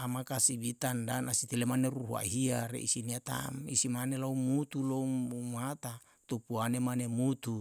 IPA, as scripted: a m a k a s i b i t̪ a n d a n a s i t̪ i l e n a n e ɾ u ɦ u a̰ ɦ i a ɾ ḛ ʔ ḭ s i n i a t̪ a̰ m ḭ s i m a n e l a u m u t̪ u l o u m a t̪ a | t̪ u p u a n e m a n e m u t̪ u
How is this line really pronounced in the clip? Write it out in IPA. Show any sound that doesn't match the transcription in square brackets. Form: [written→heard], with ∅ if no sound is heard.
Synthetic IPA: a m a k a s i b i t̪ a n d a n a s i t̪ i l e [n→m] a n e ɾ u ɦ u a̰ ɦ i a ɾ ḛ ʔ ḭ s i n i a t̪ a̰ m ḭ s i m a n e l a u m u t̪ u l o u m a t̪ a | t̪ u p u a n e m a n e m u t̪ u